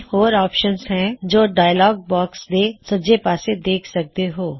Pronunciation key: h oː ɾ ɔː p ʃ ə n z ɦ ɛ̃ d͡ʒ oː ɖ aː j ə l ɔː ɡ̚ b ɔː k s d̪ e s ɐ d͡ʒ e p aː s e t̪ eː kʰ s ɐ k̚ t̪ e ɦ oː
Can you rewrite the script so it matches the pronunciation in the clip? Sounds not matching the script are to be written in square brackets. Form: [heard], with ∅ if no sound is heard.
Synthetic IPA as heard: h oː ɾ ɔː p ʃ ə n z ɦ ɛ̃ d͡ʒ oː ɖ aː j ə l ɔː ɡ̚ b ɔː k s d̪ e s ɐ d͡ʒ e p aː s e [d̪] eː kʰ s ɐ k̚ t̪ e ɦ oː